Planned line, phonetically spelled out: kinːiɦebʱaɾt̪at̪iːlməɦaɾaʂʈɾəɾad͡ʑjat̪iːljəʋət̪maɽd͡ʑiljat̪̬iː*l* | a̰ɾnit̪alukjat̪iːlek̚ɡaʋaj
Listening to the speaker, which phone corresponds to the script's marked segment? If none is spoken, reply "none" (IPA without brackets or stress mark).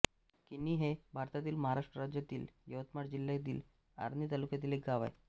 l